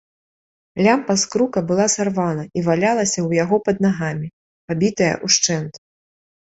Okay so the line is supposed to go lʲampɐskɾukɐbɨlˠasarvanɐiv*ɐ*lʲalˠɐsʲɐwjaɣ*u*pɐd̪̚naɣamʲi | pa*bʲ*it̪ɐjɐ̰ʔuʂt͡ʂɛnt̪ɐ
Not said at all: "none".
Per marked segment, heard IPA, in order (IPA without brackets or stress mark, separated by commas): a, ɔ, bʲ